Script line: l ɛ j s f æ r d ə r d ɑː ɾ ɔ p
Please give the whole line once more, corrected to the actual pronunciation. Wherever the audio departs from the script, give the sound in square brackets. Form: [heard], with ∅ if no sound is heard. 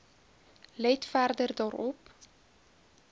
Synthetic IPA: l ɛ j [t] f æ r d ə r d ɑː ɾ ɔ p